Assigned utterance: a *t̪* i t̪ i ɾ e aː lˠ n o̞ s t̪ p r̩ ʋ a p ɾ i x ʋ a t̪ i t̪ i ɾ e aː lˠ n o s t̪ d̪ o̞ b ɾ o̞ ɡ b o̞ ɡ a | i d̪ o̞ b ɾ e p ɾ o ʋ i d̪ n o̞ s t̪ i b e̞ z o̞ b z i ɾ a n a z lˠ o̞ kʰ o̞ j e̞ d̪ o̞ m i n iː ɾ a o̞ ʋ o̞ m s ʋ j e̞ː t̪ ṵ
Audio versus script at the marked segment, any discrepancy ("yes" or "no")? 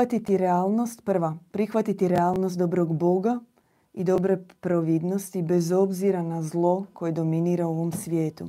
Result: no